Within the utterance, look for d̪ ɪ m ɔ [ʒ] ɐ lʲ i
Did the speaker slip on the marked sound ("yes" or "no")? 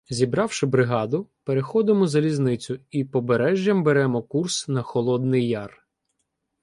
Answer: yes